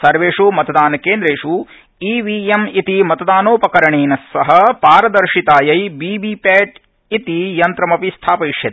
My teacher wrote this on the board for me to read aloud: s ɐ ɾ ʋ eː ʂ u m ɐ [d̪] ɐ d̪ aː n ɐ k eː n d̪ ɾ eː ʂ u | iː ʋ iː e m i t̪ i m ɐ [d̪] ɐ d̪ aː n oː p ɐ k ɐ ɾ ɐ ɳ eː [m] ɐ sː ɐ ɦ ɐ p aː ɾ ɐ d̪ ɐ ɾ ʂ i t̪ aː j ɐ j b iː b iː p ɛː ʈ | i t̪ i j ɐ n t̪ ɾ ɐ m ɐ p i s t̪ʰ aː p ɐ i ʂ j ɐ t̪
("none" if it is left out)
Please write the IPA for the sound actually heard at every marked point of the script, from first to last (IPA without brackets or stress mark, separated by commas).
t̪, t̪, n